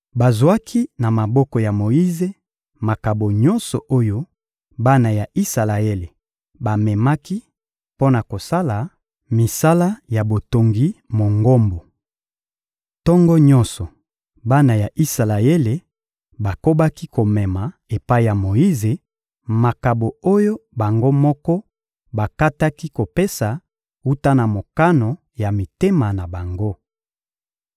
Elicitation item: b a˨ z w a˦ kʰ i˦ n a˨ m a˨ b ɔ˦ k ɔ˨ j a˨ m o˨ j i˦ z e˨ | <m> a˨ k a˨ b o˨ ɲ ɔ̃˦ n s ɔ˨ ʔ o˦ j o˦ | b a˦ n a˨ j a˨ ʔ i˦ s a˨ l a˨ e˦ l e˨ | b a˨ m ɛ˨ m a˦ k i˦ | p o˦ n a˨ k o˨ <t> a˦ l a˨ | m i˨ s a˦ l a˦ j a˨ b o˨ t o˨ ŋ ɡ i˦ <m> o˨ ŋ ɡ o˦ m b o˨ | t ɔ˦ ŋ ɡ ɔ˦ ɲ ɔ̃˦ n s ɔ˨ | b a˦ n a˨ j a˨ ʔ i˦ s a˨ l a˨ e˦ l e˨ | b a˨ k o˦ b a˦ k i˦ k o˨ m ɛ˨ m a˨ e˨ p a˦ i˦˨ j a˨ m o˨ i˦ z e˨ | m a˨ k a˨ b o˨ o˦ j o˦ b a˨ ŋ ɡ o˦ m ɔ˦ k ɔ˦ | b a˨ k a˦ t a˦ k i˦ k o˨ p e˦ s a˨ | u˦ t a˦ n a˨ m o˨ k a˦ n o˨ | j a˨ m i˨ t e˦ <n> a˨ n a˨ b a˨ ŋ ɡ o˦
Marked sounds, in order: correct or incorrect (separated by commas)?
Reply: correct, incorrect, correct, incorrect